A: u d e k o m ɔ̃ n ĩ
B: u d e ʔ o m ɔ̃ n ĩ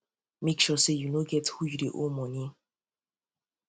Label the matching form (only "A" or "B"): B